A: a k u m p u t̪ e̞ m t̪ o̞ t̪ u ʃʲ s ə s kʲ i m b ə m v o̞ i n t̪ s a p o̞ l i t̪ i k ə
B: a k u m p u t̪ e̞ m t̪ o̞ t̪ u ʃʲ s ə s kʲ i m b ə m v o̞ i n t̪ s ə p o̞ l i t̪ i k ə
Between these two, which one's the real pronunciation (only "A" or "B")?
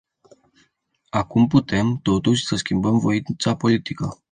A